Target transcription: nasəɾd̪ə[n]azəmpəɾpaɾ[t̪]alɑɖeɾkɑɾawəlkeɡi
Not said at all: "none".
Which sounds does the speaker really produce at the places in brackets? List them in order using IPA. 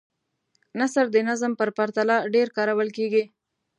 n, t̪

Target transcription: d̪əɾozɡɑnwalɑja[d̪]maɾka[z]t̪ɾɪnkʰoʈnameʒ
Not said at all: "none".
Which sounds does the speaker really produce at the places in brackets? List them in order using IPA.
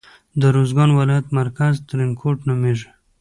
t̪, z

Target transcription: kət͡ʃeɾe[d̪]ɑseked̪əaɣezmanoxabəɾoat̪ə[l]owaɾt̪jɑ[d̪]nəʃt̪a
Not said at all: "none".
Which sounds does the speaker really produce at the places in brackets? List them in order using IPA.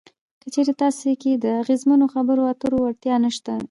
t̪, ɾ, none

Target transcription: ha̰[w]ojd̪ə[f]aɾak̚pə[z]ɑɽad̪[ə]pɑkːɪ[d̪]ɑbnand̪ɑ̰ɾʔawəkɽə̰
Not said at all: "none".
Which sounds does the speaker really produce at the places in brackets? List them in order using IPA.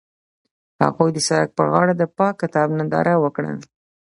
ɣ, s, ɣ, ə, t̪

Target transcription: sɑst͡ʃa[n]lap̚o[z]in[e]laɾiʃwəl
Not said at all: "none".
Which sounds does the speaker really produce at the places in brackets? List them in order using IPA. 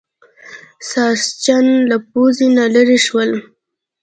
n, z, a

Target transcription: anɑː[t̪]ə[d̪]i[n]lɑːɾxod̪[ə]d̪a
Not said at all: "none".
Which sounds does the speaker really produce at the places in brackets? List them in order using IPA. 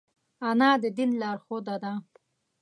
d̪, d̪, n, a

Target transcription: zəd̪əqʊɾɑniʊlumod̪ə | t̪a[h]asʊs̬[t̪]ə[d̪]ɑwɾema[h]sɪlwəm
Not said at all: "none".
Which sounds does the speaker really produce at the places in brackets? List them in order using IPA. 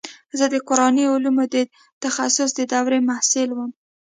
x, d̪, d̪, h

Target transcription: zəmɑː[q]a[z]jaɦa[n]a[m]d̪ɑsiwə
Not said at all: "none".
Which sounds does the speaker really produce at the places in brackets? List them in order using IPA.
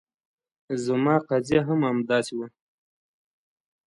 q, z, m, m

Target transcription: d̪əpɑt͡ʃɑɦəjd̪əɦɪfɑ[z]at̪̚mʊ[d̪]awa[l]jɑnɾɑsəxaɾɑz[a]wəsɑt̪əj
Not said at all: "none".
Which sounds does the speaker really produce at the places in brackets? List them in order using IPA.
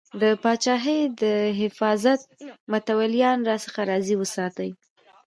z, t̪, l, i

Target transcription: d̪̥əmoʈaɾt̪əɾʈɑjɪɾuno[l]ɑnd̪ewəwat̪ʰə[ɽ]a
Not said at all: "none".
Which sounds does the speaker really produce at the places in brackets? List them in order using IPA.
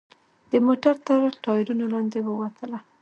l, l

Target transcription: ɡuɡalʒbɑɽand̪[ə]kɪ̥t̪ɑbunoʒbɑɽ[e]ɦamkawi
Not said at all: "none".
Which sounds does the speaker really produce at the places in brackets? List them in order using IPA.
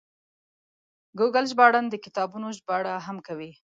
ə, a

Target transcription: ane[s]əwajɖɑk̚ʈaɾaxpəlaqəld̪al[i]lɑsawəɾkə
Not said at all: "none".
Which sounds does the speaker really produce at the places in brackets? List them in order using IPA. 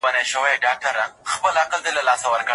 ʃ, a

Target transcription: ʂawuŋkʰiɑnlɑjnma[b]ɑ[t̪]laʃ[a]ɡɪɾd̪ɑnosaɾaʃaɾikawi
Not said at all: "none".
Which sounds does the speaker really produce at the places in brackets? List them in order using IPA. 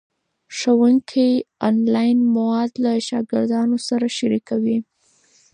w, d̪, ɑ

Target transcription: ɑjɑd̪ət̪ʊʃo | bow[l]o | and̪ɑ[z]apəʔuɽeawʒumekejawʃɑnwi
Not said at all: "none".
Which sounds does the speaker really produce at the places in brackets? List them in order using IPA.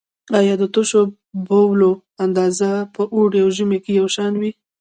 l, z

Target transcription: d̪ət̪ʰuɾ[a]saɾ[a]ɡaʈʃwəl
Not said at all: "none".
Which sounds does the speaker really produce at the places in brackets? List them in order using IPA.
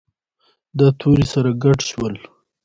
i, a

